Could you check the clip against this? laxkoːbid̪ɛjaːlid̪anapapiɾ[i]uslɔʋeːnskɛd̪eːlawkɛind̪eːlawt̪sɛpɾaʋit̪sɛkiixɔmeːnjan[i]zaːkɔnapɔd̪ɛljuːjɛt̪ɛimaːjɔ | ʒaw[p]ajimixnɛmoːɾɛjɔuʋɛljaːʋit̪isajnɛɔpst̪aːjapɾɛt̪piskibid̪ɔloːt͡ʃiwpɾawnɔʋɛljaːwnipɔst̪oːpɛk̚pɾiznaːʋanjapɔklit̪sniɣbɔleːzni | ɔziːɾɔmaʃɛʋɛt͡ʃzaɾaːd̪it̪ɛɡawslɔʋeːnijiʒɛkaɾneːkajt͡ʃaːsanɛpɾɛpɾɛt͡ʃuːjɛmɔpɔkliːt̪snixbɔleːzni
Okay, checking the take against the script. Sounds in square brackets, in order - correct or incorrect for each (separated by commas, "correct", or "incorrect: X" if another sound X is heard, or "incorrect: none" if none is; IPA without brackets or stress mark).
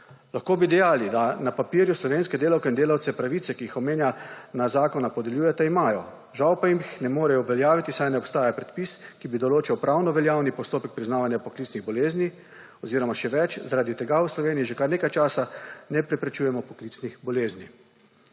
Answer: incorrect: j, incorrect: a, correct